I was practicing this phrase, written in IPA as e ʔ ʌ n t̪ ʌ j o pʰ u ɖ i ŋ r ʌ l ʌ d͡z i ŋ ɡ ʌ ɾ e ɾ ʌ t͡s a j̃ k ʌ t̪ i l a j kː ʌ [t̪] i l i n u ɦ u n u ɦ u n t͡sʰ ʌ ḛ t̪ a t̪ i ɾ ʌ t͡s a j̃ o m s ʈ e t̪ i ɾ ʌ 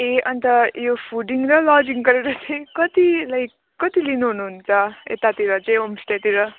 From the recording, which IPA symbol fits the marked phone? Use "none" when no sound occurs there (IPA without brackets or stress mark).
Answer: t̪